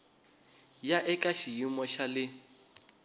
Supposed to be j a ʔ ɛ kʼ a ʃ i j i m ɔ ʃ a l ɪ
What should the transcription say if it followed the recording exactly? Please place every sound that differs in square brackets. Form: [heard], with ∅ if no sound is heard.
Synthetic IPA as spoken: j a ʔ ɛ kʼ a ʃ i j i m ɔ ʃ a l ɪ